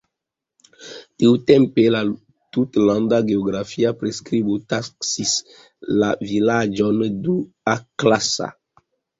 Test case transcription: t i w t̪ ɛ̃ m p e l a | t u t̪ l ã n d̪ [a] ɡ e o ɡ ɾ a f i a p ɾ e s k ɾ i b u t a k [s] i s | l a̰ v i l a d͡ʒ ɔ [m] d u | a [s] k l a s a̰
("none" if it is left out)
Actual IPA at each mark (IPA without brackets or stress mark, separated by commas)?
a, s, n, none